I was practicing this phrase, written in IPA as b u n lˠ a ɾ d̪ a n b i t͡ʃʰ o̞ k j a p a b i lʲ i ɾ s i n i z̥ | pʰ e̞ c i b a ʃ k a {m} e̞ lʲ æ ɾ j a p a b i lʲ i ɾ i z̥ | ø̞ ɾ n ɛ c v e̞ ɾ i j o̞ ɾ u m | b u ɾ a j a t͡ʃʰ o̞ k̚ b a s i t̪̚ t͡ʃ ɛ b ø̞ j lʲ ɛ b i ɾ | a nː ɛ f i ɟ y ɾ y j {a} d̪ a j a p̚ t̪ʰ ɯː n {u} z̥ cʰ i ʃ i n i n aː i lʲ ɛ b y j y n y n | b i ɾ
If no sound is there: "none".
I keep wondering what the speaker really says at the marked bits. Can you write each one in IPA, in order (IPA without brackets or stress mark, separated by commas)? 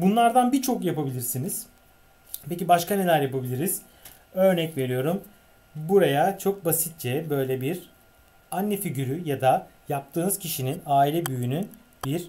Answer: n, a, ɯ